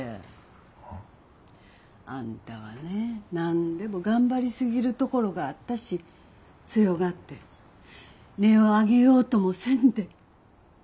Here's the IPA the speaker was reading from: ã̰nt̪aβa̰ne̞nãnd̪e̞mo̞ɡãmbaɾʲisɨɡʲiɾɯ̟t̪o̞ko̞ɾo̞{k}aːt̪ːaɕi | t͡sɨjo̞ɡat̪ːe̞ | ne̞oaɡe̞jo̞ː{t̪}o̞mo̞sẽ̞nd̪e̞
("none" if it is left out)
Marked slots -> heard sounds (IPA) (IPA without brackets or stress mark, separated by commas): ɡ, t̪